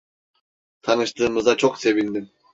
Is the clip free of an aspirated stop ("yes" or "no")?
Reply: no